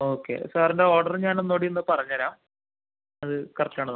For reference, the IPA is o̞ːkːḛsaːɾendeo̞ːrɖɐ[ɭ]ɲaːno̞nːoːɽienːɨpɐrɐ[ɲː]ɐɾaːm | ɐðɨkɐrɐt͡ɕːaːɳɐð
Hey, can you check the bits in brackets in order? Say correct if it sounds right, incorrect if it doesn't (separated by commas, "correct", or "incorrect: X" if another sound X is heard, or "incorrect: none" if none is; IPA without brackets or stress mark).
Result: incorrect: r, correct